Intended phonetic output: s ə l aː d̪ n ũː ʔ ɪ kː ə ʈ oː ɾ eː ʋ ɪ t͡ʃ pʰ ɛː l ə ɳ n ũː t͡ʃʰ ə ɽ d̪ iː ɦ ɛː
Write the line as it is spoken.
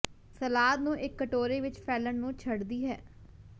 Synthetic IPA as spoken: s ə l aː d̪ n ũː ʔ ɪ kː ə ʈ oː ɾ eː ʋ ɪ t͡ʃ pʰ ɛː l ə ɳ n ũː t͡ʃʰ ə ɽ d̪ iː ɦ ɛː